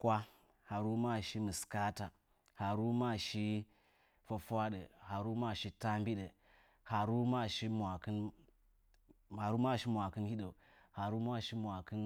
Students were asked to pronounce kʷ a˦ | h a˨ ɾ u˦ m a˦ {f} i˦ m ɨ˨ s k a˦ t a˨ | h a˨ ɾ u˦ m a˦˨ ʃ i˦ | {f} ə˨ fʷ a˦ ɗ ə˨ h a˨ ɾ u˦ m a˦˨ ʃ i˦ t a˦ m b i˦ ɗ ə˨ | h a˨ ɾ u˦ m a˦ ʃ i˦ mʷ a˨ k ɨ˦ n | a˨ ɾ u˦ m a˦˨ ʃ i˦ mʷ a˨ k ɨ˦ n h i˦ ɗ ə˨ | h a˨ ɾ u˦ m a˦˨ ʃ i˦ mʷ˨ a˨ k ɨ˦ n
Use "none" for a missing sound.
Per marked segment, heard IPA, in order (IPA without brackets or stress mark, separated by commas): ʃ, f